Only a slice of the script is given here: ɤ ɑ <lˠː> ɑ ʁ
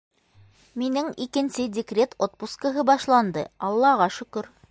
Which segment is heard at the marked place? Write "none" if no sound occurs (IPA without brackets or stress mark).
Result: lˠː